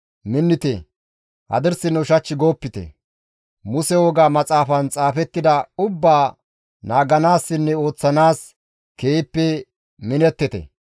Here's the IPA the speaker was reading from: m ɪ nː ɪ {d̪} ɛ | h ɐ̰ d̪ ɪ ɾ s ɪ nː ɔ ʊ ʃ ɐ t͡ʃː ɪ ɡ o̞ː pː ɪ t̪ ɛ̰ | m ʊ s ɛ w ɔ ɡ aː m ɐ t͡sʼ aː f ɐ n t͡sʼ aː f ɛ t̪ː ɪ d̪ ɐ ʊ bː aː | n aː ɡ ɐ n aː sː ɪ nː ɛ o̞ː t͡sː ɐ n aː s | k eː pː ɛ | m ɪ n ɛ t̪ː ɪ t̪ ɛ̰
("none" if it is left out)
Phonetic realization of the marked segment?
t̪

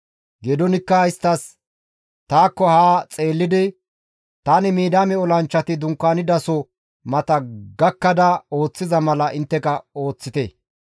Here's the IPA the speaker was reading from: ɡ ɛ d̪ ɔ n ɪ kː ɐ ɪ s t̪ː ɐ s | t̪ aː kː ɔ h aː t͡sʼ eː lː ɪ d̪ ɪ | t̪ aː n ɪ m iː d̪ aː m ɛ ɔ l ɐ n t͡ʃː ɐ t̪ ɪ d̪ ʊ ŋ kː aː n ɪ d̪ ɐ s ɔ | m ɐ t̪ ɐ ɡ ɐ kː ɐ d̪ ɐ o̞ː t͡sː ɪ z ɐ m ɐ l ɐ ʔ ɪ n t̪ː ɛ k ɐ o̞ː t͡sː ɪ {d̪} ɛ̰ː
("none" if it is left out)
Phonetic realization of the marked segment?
t̪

